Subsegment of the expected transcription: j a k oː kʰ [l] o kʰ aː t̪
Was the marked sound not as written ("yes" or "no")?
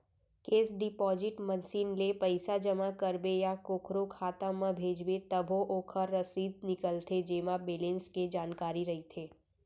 yes